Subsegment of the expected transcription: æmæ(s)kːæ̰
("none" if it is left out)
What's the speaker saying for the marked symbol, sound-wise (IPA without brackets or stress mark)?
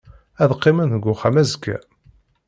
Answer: z